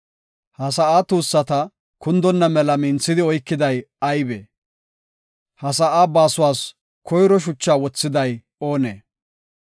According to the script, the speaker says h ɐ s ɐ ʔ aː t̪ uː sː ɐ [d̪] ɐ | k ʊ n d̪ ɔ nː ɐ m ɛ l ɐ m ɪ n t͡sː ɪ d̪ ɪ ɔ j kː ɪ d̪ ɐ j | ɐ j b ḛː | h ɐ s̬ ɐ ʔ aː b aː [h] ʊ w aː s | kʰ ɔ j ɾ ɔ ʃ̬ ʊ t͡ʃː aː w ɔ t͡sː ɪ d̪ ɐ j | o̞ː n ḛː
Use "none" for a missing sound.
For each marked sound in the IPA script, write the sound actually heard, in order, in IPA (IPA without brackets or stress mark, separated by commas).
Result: t̪, s